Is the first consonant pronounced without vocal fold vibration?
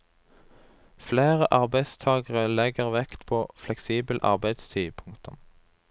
yes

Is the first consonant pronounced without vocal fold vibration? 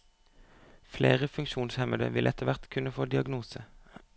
yes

